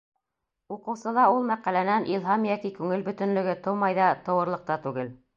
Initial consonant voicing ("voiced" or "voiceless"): voiceless